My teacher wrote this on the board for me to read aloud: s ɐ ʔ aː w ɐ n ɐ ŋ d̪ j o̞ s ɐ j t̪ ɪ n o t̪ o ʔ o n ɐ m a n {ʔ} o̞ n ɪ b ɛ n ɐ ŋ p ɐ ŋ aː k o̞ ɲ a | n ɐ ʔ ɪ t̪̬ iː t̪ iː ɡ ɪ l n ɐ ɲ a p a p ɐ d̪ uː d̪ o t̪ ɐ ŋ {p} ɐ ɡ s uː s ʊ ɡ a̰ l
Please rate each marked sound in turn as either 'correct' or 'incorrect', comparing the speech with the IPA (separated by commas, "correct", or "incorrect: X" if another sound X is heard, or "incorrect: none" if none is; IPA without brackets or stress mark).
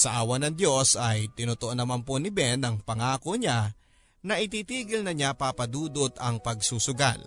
incorrect: p, correct